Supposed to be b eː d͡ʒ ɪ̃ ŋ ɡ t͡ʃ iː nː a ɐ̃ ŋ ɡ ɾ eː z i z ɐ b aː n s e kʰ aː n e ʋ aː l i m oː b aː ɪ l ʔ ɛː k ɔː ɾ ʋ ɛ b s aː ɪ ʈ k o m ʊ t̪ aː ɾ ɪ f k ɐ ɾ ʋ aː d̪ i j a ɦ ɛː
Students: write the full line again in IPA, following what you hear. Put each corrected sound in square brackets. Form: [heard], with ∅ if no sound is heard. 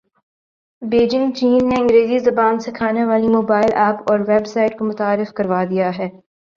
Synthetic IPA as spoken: b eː d͡ʒ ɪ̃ ŋ ɡ t͡ʃ iː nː [e] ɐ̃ ŋ ɡ ɾ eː z i z ɐ b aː n s e kʰ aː n e ʋ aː l i m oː b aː ɪ l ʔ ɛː [p] ɔː ɾ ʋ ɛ b s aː ɪ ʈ k o m ʊ t̪ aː ɾ ɪ f k ɐ ɾ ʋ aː d̪ i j a ɦ ɛː